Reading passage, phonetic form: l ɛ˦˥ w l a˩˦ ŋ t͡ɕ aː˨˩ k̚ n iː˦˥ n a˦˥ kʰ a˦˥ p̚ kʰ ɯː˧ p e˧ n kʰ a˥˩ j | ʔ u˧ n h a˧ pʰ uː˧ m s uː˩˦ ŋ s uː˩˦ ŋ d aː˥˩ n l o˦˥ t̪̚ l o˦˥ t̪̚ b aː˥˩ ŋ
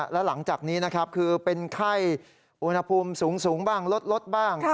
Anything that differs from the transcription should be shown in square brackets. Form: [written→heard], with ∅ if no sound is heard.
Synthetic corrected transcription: l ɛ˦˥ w l a˩˦ ŋ t͡ɕ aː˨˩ k̚ n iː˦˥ n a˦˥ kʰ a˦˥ p̚ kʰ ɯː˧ p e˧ n kʰ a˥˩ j | ʔ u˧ n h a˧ pʰ uː˧ m s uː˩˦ ŋ s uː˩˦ ŋ [d→b] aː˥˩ [n→ŋ] l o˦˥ t̪̚ l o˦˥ t̪̚ b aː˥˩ ŋ